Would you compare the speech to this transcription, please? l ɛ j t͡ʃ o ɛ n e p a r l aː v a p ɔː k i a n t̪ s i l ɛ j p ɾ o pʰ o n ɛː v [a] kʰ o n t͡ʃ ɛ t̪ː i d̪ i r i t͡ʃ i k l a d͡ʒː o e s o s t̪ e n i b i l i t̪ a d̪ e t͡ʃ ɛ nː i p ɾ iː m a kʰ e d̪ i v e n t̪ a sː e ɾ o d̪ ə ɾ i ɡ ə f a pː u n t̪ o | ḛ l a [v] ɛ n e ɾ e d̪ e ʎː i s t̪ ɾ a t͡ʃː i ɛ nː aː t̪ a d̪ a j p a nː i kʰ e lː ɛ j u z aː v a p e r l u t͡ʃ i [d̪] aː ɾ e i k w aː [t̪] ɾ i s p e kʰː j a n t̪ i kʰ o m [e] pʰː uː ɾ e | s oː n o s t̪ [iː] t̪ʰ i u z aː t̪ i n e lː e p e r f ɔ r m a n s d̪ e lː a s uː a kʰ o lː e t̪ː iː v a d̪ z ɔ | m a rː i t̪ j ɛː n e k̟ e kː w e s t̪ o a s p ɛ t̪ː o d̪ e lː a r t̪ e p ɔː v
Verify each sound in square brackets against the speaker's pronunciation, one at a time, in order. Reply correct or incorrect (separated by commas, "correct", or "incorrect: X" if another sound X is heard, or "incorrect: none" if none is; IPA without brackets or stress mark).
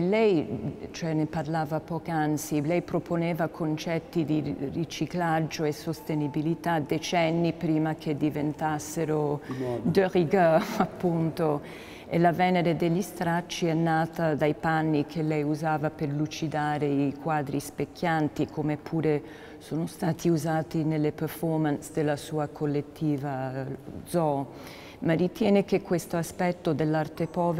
correct, correct, correct, incorrect: d̪, correct, incorrect: aː